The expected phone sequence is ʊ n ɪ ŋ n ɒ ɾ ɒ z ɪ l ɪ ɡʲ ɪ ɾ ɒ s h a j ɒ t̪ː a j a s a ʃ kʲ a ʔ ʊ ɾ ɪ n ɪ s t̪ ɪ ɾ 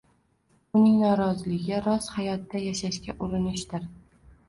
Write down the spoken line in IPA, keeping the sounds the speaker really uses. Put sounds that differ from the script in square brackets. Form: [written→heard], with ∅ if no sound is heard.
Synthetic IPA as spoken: ʊ n ɪ ŋ n ɒ ɾ ɒ z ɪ l ɪ ɡʲ ɪ ɾ ɒ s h a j ɒ t̪ː a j a [s→ʃ] a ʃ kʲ a ʔ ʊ ɾ ɪ n ɪ [s→ʃ] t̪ ɪ ɾ

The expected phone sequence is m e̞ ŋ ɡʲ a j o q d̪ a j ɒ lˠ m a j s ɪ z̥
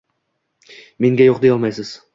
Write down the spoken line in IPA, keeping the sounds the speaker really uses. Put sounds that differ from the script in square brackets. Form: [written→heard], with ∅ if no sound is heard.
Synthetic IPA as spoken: m e̞ ŋ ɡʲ a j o q d̪ [a→e] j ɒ lˠ m a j s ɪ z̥

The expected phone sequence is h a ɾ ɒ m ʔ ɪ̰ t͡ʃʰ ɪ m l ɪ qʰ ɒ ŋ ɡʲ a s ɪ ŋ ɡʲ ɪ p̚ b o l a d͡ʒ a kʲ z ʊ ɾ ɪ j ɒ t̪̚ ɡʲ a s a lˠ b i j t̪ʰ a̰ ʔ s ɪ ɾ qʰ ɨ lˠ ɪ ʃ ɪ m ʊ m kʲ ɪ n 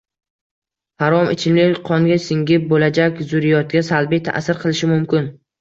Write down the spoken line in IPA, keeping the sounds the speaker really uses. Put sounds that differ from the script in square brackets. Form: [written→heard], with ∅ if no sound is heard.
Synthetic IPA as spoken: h a ɾ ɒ m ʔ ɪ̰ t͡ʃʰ ɪ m l ɪ qʰ ɒ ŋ ɡʲ a s ɪ ŋ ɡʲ ɪ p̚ b o l a d͡ʒ a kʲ z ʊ ɾ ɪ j ɒ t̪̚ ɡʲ a s a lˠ b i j t̪ʰ a̰ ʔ s ɪ ɾ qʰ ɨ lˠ ɪ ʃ ɪ m ʊ m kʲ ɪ n

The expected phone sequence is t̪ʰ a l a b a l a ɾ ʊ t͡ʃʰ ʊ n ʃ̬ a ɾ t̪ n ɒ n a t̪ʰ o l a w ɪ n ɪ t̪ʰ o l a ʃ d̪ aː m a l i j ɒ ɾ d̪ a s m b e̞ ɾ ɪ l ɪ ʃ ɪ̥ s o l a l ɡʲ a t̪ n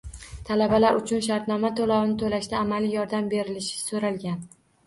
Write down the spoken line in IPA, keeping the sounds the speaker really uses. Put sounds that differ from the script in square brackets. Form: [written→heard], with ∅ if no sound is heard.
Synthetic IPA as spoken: t̪ʰ a l a b a l a ɾ ʊ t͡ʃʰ ʊ n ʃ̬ a ɾ t̪ n ɒ [n→m] a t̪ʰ o l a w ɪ n ɪ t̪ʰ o l a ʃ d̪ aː m a l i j ɒ ɾ d̪ a [s→∅] m b e̞ ɾ ɪ l ɪ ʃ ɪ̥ s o [l→ɾ] a l ɡʲ a [t̪→∅] n

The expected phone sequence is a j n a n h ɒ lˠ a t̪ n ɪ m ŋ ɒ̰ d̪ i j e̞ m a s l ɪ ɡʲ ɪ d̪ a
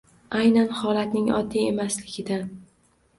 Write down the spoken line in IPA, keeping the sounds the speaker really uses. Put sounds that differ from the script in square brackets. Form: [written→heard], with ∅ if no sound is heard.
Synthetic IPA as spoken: a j n a n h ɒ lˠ a t̪ n ɪ [m→∅] ŋ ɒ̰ [d̪→d̪ː] i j e̞ m a s l ɪ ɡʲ ɪ d̪ a

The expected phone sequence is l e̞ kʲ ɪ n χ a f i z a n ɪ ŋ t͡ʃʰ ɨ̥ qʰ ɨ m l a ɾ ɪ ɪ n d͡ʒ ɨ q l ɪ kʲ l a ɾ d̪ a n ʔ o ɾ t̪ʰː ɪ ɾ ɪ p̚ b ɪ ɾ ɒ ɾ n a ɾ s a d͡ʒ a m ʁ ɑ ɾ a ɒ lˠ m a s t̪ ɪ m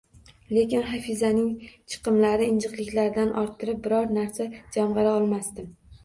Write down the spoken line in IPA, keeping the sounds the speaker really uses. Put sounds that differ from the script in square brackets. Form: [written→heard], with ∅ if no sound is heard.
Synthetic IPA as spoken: l e̞ kʲ ɪ n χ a f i z a n ɪ ŋ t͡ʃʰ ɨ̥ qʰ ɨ m l a ɾ ɪ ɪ n d͡ʒ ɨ q l ɪ kʲ l a ɾ d̪ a n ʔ [o→ɒ] ɾ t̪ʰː ɪ ɾ ɪ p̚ b ɪ ɾ ɒ ɾ n a ɾ s a d͡ʒ a m ʁ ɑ ɾ a ɒ lˠ m a s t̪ ɪ m

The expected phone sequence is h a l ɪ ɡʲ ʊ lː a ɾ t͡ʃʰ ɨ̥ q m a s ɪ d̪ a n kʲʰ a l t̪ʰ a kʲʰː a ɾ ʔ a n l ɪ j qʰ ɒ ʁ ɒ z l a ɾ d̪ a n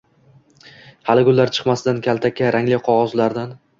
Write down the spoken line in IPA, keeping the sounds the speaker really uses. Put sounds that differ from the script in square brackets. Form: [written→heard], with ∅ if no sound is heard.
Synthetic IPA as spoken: h a l ɪ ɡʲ ʊ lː a ɾ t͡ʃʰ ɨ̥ q m a s ɪ d̪ a n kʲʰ a l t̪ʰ a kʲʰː a ɾ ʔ a [n→ŋ] l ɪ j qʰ ɒ ʁ ɒ z l a ɾ d̪ a n

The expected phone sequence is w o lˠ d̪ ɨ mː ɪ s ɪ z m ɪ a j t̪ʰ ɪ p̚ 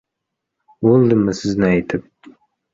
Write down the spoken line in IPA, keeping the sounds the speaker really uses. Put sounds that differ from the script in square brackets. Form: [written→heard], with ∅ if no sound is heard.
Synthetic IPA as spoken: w o lˠ d̪ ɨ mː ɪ s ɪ z [m→n] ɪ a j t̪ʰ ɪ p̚

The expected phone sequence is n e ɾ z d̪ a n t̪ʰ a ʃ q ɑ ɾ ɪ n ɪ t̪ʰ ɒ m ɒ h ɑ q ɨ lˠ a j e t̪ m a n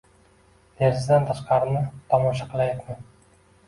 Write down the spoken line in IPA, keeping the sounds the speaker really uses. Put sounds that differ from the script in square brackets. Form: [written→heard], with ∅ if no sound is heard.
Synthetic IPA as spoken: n e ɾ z d̪ a n t̪ʰ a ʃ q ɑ ɾ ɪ n ɪ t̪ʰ ɒ m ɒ [h→ʃ] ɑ q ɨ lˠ a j [e→a] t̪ m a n

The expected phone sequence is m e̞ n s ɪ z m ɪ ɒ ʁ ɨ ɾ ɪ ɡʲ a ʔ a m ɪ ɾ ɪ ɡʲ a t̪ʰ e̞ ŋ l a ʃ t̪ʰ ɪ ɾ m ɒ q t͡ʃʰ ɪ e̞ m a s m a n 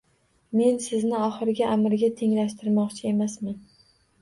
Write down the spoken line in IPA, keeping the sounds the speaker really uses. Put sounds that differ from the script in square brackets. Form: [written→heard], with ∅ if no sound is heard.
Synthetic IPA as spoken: m e̞ n s ɪ z [m→n] ɪ ɒ [ʁ→χ] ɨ ɾ ɪ ɡʲ a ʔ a m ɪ ɾ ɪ ɡʲ a t̪ʰ e̞ ŋ l a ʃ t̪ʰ ɪ ɾ m ɒ q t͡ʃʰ ɪ e̞ m a s m a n

